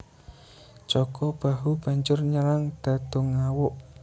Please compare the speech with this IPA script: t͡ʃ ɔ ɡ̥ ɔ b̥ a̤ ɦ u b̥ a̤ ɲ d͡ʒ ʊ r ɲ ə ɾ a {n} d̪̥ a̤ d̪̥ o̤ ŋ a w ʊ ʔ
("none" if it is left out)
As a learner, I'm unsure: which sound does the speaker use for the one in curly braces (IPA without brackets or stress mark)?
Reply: ŋ